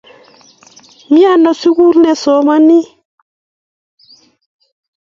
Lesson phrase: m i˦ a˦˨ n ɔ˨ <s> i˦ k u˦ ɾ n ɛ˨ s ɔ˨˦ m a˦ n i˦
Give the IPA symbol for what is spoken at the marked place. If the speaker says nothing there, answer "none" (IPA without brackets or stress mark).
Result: s